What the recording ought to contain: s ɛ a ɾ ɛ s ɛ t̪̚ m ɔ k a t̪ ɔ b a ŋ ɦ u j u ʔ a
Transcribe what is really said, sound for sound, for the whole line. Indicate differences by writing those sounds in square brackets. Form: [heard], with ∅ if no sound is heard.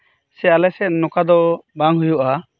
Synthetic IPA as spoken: s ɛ a [l] ɛ s ɛ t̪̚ [n] ɔ k a [d̪] ɔ b a ŋ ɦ u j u ʔ a